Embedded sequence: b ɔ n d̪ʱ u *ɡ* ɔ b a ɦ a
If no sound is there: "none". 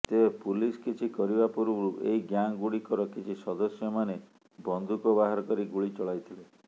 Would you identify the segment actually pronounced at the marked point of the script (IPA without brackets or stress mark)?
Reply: k